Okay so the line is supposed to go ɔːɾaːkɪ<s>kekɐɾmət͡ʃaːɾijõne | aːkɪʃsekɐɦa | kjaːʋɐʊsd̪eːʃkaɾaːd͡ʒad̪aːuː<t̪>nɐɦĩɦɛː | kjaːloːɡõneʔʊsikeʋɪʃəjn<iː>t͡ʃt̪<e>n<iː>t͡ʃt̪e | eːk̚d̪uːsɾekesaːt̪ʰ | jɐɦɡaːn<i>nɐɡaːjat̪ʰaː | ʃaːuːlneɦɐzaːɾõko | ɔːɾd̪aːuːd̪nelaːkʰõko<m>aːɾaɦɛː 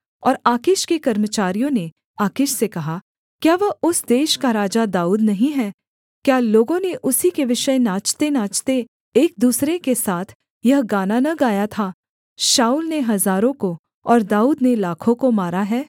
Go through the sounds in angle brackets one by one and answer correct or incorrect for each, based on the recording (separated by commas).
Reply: incorrect, incorrect, incorrect, correct, incorrect, incorrect, correct